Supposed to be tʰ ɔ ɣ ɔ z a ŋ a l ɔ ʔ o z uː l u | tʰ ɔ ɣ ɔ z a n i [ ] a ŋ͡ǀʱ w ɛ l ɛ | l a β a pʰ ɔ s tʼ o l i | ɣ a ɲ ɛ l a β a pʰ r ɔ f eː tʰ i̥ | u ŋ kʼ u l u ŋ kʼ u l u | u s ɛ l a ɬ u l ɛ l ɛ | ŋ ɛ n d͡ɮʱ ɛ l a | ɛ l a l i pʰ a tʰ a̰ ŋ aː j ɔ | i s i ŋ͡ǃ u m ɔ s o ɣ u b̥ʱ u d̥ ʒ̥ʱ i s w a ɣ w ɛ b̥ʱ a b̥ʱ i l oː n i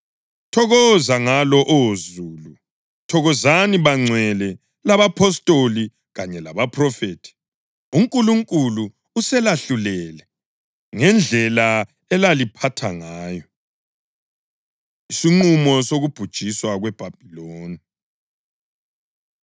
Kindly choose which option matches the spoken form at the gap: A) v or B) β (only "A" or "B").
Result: B